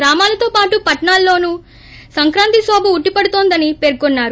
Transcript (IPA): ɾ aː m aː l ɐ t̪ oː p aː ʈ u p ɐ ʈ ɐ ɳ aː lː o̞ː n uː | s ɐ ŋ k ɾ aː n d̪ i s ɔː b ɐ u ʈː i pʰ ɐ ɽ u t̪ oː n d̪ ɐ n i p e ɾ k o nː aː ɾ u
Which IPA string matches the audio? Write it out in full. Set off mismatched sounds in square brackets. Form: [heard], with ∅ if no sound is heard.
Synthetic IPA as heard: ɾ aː m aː l ɐ t̪ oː p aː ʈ u p ɐ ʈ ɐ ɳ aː lː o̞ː n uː | s ɐ ŋ k ɾ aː n [t̪] i s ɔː b ɐ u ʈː i [p] ɐ ɽ u t̪ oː n d̪ ɐ n i p e ɾ k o nː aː ɾ u